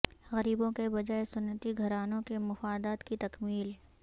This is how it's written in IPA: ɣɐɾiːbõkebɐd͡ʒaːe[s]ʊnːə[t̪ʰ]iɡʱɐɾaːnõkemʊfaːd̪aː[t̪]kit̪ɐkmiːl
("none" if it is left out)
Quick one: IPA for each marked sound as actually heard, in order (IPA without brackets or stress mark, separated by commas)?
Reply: s, t̪, t̪